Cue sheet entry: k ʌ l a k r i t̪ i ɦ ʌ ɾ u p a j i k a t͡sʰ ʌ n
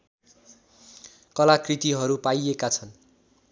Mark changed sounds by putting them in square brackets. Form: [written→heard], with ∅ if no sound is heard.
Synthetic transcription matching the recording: k ʌ l a k r i t̪ i ɦ ʌ ɾ u p a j [i→e] k a t͡sʰ ʌ n